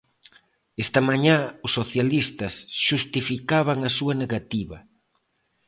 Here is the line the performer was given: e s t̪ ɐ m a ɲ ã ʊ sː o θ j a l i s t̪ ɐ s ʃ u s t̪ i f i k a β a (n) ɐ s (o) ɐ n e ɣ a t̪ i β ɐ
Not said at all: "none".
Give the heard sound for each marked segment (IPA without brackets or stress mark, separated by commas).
ŋ, u